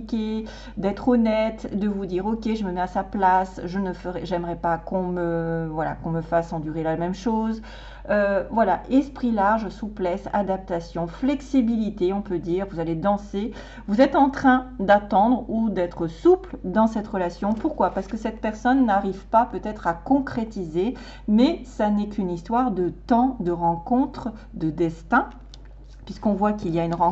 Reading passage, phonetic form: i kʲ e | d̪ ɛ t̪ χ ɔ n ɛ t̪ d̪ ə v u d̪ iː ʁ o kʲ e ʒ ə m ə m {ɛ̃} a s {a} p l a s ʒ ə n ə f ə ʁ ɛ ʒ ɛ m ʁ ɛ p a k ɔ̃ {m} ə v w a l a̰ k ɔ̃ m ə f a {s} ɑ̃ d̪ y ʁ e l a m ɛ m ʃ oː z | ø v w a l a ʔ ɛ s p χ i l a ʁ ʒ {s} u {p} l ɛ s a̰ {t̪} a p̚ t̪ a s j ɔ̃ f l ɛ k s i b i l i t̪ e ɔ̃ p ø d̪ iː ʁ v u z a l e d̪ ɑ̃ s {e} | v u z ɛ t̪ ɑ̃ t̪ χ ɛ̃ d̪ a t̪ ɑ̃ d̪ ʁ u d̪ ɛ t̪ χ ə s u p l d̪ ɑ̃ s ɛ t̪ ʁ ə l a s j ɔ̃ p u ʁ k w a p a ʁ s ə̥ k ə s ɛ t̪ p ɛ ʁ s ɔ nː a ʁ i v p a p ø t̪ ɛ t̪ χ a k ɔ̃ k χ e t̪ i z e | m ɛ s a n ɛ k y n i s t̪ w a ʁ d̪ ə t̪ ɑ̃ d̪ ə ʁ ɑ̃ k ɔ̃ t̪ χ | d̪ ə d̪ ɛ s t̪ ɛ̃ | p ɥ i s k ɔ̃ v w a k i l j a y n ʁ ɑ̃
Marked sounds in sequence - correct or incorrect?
incorrect: ɛ, correct, correct, correct, correct, correct, incorrect: d̪, correct

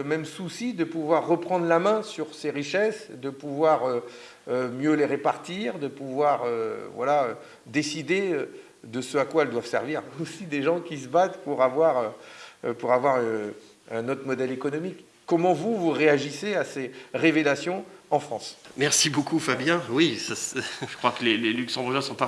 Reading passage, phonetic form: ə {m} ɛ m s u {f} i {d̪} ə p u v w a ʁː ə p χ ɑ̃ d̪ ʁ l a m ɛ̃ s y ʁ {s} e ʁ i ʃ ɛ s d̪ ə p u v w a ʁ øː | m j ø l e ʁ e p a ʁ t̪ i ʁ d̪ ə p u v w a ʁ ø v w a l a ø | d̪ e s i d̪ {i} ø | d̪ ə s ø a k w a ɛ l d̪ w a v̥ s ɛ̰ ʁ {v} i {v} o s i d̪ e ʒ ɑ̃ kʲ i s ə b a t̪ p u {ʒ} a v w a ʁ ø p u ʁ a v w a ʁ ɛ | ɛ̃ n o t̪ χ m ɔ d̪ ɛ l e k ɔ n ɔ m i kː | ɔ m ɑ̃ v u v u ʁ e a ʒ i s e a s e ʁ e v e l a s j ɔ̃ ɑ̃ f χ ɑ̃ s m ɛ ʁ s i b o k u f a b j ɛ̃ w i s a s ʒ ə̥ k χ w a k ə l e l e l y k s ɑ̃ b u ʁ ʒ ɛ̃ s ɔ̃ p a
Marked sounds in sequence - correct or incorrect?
correct, incorrect: s, correct, correct, incorrect: e, correct, incorrect: ʁ, incorrect: ʁ

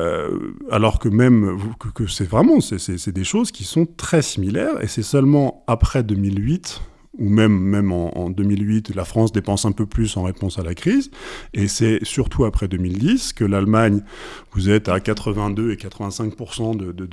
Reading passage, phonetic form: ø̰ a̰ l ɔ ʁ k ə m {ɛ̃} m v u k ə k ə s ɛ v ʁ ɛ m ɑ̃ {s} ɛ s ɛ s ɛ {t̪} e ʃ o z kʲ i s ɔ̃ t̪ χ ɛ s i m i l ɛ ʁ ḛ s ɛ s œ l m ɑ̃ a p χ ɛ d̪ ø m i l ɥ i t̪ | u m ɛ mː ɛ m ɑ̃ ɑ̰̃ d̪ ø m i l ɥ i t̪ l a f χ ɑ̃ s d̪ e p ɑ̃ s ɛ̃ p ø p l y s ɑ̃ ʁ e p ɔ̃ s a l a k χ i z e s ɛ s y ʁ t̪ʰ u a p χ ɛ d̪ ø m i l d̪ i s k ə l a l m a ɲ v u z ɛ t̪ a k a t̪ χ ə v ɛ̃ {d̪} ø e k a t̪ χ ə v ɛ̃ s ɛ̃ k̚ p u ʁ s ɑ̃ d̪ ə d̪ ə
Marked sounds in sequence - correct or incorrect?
incorrect: ɛ, correct, incorrect: d̪, correct

